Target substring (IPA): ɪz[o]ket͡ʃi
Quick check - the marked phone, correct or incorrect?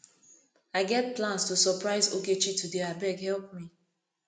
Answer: correct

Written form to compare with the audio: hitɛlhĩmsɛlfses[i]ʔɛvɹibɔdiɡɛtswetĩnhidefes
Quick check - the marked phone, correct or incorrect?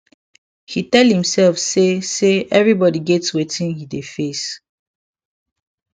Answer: incorrect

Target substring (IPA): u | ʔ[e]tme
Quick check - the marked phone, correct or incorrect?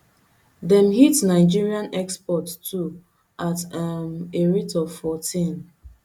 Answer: incorrect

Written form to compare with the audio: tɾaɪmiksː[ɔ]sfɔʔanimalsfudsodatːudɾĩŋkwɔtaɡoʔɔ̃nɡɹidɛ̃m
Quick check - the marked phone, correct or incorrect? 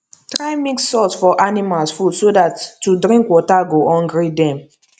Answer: correct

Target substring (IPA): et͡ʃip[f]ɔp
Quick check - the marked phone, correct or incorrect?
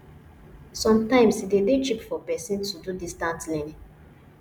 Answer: correct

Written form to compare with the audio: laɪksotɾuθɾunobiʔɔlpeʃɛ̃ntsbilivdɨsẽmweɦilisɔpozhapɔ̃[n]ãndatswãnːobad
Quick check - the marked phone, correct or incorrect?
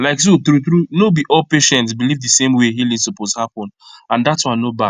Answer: correct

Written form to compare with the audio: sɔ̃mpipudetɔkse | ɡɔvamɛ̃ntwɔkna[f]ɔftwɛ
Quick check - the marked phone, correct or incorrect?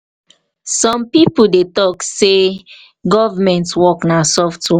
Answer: incorrect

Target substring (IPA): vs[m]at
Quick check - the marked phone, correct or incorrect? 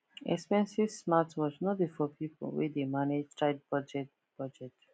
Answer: correct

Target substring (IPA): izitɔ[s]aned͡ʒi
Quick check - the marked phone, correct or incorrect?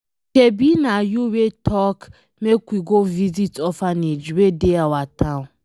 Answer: incorrect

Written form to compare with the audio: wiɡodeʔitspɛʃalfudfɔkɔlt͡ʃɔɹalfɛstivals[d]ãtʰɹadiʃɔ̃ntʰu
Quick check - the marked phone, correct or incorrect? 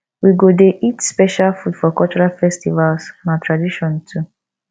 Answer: incorrect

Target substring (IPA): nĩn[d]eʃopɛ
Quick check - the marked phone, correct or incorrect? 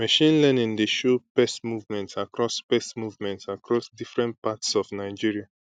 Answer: correct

